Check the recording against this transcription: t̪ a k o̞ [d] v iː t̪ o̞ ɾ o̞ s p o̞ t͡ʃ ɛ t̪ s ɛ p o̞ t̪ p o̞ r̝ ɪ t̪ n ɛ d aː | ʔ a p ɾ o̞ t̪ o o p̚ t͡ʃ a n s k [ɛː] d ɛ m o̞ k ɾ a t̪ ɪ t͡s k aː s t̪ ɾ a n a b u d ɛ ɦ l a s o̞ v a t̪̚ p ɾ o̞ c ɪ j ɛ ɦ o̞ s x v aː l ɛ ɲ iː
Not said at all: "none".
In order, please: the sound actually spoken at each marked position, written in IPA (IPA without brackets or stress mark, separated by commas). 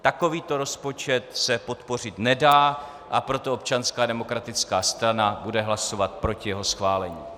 none, aː